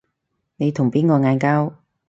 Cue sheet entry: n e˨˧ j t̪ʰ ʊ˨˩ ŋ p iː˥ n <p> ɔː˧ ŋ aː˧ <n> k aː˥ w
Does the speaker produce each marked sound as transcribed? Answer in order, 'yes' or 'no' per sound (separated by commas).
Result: no, yes